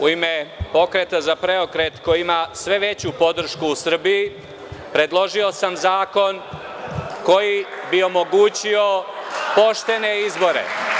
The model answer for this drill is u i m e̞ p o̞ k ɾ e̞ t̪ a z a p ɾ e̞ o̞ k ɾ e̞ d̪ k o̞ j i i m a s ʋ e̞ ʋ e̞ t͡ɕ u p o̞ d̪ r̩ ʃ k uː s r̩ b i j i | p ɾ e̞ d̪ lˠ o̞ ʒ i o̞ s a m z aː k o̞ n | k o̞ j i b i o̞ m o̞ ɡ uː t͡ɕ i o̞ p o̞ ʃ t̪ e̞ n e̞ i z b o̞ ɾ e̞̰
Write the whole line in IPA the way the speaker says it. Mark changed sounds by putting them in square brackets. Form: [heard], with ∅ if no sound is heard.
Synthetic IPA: u i m e̞ p o̞ k ɾ e̞ t̪ a z a p ɾ e̞ o̞ k ɾ e̞ [t̪] k o̞ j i i m a s ʋ e̞ ʋ e̞ t͡ɕ u p o̞ d̪ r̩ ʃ k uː s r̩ b i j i | p ɾ e̞ d̪ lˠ o̞ ʒ i o̞ s a m z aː k o̞ n | k o̞ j i b i o̞ m o̞ ɡ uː t͡ɕ i o̞ p o̞ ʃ t̪ e̞ n e̞ i z b o̞ ɾ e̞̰